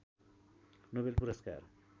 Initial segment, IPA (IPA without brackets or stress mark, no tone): n